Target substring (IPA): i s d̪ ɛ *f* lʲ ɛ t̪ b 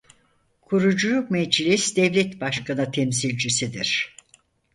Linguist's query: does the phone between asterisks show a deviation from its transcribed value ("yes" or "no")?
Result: yes